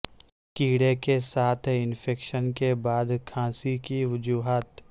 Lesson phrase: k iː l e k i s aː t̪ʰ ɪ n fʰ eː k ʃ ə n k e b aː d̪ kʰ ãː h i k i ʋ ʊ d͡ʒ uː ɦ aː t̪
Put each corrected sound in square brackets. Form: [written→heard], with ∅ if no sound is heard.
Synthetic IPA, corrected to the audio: k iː [l→ɽ] e k [i→e] s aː t̪ʰ ɪ n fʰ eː k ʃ ə n k e b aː d̪ kʰ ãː [h→s] i k i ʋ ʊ d͡ʒ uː ɦ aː t̪

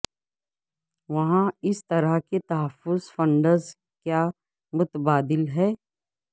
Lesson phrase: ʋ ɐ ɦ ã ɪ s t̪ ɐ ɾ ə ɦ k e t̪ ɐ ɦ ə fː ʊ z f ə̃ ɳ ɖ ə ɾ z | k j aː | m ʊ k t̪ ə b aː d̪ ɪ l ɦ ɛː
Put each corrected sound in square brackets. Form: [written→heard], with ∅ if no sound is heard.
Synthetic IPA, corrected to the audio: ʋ ɐ ɦ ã ɪ s t̪ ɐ ɾ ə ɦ k e t̪ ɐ ɦ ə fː ʊ z f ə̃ ɳ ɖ ə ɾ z | k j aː | m ʊ [k→∅] t̪ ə b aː d̪ ɪ l ɦ ɛː

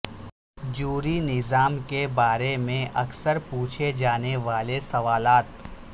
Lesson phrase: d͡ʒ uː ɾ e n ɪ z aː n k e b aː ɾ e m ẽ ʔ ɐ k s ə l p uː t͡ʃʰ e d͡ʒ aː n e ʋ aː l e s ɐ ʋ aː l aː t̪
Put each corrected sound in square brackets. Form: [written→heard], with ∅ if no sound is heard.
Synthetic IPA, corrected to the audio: d͡ʒ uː ɾ [e→i] n ɪ z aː [n→m] k e b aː ɾ e m ẽ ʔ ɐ k s ə [l→ɾ] p uː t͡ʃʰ e d͡ʒ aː n e ʋ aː l e s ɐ ʋ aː l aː t̪

